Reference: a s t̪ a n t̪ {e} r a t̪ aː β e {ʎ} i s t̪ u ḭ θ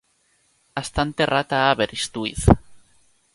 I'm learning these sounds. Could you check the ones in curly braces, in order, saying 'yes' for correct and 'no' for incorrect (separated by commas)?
yes, no